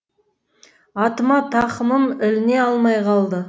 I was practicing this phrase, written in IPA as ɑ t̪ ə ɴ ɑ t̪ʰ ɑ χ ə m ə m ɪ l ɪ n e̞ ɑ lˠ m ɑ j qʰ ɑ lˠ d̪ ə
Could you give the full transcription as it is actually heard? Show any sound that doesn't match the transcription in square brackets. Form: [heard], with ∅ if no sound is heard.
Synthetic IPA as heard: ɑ t̪ ə [m] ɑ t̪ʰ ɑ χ ə m ə m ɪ l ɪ n e̞ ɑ lˠ m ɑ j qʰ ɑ lˠ d̪ ə